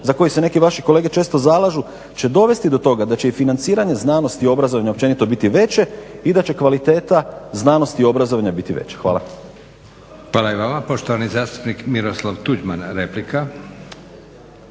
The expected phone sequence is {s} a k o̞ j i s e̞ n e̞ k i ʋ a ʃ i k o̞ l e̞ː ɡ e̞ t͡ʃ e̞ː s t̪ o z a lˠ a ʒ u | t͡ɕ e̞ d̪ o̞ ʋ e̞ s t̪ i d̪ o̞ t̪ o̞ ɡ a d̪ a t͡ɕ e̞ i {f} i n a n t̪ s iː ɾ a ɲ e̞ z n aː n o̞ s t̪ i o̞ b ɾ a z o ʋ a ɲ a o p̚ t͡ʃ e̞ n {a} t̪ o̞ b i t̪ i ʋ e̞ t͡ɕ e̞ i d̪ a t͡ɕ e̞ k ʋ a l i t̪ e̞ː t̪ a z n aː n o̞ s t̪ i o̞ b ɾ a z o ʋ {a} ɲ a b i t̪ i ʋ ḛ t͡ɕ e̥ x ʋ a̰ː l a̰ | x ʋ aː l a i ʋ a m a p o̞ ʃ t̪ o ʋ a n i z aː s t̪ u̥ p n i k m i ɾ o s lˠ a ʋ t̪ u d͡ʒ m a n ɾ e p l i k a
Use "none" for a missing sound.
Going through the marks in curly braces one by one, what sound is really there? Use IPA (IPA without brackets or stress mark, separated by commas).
z, f, i, a